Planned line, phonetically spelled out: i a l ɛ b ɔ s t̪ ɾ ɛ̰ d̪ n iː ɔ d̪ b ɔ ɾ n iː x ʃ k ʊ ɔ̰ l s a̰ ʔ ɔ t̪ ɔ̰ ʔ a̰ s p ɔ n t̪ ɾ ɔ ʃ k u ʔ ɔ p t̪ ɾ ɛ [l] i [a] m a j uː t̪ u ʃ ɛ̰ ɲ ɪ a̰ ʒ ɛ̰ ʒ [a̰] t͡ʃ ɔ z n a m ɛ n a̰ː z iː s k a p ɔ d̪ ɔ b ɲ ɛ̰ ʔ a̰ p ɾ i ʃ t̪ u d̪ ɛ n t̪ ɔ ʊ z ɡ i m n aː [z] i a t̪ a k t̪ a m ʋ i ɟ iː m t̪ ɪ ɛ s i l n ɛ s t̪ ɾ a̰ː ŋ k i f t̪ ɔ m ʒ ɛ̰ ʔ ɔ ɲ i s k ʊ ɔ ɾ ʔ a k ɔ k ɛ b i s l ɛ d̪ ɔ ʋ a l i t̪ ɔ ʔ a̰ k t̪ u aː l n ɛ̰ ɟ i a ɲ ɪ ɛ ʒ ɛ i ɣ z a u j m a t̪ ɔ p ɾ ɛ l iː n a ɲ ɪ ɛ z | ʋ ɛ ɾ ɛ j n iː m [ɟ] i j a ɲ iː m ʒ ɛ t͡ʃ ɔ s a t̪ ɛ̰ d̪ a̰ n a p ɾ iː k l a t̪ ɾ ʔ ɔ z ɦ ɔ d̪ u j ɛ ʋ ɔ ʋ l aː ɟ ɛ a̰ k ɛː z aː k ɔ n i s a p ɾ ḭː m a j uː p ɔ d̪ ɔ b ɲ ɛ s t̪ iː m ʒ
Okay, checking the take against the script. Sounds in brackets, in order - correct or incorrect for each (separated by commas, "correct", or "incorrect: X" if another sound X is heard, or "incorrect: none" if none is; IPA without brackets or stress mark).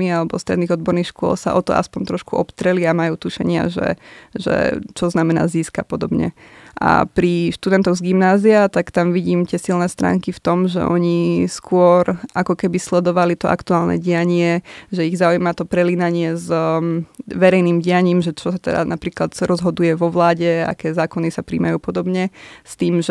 correct, correct, incorrect: ɛ̰, correct, correct